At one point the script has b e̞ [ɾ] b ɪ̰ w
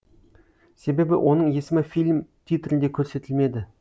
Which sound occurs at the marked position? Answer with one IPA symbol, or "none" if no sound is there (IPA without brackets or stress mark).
none